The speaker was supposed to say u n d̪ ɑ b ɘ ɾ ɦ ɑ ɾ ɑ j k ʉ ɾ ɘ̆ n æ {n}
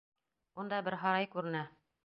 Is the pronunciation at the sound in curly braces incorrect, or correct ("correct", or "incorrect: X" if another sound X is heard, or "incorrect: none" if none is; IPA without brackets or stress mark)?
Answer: incorrect: none